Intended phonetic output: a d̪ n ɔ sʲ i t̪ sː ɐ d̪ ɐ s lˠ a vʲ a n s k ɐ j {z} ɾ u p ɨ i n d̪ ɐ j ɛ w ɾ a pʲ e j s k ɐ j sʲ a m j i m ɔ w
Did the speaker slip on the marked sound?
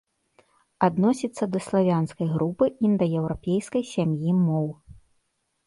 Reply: yes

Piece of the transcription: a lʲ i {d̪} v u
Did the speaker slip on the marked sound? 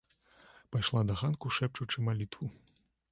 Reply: yes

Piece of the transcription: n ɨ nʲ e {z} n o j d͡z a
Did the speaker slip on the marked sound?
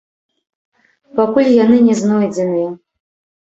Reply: no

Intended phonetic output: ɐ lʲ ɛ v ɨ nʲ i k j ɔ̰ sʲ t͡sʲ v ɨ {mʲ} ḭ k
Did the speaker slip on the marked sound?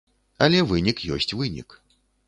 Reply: yes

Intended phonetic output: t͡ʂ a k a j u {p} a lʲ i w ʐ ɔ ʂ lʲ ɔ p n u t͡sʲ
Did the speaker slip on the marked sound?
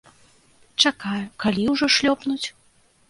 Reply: yes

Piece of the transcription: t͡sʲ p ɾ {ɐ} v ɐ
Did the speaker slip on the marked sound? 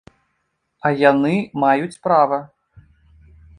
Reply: yes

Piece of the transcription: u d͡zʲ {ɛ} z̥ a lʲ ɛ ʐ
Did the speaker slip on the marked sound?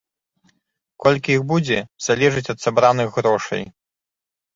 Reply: no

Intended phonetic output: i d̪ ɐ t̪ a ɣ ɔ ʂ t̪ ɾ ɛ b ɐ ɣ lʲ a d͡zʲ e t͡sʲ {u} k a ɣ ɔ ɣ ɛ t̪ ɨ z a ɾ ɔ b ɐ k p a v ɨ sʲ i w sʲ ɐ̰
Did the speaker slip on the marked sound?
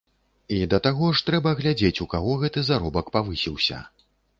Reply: no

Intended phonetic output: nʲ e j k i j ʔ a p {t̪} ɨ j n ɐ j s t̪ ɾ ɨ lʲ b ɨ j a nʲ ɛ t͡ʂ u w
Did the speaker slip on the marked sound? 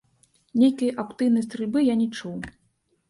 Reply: no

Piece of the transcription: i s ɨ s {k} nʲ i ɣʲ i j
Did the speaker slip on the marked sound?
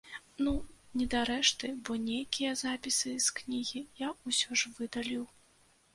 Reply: no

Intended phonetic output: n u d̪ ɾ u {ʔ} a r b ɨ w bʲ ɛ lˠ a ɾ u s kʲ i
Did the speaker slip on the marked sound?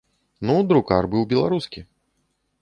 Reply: yes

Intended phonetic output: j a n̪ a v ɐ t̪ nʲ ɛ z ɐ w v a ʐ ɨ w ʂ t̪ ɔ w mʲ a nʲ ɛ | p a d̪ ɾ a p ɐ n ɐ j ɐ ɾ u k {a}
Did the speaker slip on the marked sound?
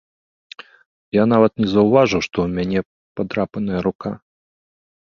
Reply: no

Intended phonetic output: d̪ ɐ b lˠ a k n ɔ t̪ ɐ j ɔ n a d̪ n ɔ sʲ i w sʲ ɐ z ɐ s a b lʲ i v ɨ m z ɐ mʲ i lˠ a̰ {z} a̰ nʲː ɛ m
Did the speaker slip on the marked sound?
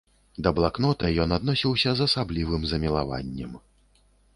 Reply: yes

